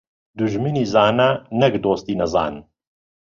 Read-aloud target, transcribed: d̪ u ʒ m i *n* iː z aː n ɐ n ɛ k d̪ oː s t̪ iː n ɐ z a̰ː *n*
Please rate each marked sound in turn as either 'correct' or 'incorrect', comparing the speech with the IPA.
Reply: correct, correct

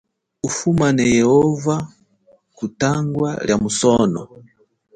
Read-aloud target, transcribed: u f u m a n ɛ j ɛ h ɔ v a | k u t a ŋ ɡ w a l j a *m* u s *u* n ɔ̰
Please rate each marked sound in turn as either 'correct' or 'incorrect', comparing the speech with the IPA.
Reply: correct, incorrect

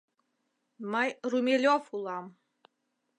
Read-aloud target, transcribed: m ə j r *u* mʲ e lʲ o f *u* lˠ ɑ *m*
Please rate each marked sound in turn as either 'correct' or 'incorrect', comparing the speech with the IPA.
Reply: correct, correct, correct

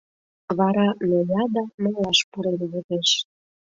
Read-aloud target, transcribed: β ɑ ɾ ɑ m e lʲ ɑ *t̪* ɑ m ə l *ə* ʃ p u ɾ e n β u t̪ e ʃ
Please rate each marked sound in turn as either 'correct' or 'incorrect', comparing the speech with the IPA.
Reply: incorrect, incorrect

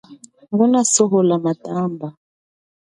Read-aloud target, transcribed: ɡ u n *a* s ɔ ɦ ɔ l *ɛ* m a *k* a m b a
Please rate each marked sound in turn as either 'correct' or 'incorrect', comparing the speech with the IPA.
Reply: correct, incorrect, incorrect

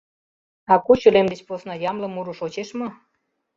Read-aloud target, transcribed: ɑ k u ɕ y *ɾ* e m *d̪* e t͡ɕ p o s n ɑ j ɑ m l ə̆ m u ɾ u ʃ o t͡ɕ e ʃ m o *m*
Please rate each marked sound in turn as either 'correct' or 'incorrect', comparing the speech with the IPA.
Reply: incorrect, correct, incorrect

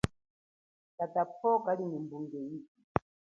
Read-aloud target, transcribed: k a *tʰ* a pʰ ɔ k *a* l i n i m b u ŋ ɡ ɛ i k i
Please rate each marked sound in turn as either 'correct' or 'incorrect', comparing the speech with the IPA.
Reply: incorrect, correct

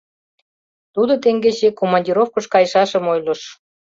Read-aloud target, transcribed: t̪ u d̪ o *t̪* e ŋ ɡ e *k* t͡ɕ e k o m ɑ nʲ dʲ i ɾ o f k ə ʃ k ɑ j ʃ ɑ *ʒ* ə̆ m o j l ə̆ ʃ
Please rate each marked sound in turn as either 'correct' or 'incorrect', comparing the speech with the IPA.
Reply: correct, incorrect, incorrect

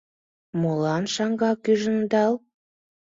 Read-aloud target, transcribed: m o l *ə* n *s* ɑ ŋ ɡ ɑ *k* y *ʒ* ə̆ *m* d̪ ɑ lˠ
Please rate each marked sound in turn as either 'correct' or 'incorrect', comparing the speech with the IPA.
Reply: incorrect, incorrect, correct, correct, incorrect

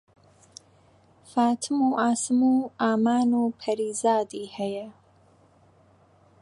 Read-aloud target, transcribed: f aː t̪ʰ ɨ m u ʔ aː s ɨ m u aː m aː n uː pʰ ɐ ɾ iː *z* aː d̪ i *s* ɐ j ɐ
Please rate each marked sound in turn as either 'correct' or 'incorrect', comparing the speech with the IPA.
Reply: correct, incorrect

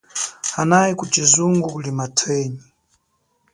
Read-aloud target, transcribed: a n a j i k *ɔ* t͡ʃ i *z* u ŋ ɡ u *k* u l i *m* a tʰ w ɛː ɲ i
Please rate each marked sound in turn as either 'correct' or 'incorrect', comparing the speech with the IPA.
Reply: incorrect, correct, correct, correct

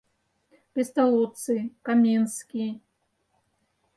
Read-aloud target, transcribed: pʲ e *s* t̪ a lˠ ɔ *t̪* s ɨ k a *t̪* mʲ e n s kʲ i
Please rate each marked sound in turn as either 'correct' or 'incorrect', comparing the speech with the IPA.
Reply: correct, correct, incorrect

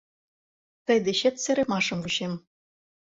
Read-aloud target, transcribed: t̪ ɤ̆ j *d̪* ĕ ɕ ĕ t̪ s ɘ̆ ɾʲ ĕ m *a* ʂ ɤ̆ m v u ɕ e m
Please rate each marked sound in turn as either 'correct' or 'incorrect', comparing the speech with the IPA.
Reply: correct, incorrect

